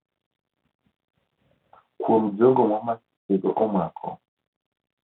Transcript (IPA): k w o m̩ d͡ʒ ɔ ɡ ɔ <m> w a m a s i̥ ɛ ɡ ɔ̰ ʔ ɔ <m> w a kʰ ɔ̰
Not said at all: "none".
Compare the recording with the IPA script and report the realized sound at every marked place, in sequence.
m, m

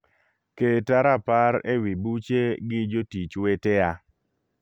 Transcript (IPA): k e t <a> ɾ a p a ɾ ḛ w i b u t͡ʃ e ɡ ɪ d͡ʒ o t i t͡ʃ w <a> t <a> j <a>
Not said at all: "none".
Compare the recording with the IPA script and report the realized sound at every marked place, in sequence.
a, e, e, a

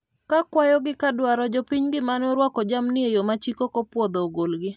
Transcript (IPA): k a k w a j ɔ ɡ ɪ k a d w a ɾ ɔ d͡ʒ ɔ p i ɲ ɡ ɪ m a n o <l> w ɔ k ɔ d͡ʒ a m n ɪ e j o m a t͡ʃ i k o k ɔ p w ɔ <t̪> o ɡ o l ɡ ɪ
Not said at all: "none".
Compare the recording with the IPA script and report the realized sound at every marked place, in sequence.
ɾ, d̪

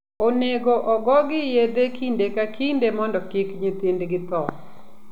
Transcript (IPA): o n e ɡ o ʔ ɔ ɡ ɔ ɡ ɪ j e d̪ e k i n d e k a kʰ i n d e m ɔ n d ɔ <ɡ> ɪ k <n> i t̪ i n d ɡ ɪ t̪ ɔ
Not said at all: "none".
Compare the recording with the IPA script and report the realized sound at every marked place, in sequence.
k, ɲ

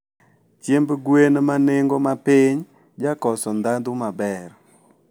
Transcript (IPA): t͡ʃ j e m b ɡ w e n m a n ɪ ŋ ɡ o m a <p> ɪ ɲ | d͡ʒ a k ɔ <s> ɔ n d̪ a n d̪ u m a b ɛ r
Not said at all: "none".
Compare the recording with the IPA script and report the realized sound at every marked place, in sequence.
p, s

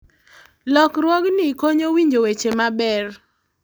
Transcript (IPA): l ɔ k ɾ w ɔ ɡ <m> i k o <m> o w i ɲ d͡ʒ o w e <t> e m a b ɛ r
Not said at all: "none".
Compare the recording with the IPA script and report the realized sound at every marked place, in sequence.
n, ɲ, t͡ʃ

